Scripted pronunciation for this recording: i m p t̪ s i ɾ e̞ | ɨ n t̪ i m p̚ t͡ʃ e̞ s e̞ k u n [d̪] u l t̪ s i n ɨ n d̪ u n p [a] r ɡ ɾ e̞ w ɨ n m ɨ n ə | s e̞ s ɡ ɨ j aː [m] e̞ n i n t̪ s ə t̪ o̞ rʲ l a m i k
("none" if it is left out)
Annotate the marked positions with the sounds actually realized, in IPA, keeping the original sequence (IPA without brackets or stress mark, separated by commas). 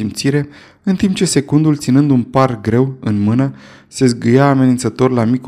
d̪, a, m